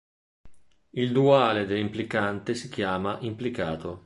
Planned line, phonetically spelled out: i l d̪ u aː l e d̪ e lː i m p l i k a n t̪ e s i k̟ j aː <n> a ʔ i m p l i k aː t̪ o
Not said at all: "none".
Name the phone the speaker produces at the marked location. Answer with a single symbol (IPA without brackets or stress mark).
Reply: m